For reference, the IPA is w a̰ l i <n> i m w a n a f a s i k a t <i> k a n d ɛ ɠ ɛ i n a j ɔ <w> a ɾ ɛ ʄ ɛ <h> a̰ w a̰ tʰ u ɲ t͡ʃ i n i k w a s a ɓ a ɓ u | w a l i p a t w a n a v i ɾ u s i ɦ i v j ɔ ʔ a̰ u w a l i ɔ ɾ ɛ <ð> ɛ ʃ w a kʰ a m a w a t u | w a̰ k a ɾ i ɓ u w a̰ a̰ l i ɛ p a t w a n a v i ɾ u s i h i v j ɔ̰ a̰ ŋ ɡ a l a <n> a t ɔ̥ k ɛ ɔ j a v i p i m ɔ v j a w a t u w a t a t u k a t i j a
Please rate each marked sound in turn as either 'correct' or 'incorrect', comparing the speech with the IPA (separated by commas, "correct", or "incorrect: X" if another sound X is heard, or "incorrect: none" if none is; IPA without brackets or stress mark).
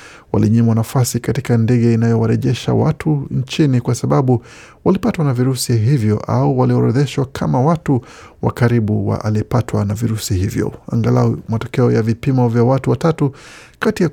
incorrect: ɲ, correct, correct, incorrect: ʃ, correct, incorrect: m